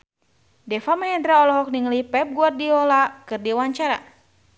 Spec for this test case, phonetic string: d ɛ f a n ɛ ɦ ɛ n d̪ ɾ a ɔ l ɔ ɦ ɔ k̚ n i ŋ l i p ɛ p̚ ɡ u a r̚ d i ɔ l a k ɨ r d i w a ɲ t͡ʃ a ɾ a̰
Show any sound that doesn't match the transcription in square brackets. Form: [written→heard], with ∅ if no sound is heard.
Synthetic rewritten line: d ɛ f a [n→m] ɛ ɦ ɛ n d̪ ɾ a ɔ l ɔ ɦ ɔ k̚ n i ŋ l i p ɛ p̚ ɡ u a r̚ d i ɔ l a k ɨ r d i w a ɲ t͡ʃ a ɾ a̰